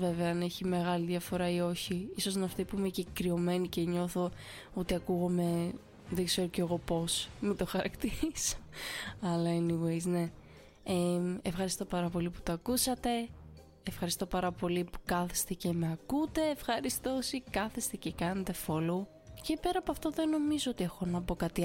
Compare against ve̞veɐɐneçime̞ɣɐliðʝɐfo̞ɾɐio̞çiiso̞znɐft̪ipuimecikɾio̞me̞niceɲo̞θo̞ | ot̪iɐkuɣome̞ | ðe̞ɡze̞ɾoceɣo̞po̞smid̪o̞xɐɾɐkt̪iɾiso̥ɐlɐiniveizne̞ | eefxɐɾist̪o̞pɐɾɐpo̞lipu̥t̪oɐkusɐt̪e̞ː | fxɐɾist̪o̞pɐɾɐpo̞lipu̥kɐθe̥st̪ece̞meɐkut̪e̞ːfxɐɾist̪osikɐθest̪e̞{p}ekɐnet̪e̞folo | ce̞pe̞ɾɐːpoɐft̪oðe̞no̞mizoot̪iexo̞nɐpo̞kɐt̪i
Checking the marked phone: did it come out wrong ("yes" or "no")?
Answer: yes